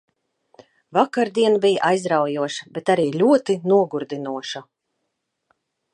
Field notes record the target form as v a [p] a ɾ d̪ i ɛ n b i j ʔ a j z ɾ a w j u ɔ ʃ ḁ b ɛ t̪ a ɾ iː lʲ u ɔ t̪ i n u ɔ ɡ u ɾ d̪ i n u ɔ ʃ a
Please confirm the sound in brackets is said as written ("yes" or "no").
no